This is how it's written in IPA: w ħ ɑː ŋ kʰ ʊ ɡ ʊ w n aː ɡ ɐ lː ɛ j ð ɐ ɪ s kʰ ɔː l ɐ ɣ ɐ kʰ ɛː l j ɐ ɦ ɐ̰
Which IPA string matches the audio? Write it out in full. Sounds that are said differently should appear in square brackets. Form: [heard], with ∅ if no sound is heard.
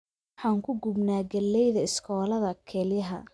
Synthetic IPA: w ħ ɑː ŋ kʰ ʊ ɡ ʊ [b] n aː ɡ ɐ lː ɛ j ð ɐ ɪ s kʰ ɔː l ɐ [ð] ɐ kʰ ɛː l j ɐ ɦ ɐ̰